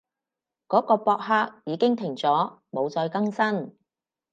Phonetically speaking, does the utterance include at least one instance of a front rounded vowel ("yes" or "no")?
no